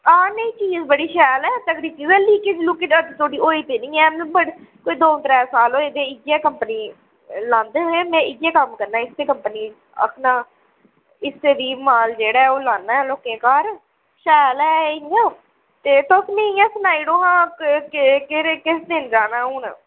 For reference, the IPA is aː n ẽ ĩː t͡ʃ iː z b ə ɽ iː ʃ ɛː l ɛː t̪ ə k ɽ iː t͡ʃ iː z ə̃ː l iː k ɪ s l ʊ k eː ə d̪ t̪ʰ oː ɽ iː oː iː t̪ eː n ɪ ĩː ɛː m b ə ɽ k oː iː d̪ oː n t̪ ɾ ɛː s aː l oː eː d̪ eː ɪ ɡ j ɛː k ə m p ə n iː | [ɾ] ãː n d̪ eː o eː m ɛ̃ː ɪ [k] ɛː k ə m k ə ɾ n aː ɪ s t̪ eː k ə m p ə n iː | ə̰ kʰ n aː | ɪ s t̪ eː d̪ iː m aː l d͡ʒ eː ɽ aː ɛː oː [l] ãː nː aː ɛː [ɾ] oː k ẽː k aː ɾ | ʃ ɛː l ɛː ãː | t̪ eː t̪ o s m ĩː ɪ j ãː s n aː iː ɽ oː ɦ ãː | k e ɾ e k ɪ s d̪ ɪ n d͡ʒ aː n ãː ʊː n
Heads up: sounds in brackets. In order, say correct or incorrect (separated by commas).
incorrect, incorrect, correct, incorrect